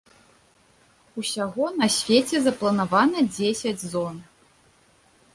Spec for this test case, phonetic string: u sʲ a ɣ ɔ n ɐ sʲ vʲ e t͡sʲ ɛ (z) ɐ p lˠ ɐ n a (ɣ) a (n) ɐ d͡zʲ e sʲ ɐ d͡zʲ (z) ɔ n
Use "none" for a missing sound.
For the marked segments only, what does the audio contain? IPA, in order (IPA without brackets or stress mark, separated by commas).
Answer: z, v, n, z